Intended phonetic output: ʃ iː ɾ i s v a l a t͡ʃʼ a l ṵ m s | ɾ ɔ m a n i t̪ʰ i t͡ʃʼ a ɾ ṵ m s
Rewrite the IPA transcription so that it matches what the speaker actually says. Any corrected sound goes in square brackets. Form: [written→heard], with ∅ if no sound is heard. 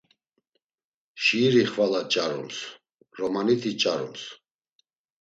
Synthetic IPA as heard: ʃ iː ɾ i [s→χ] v a l a t͡ʃʼ a [l→ɾ] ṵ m s | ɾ ɔ m a n i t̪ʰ i t͡ʃʼ a ɾ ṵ m s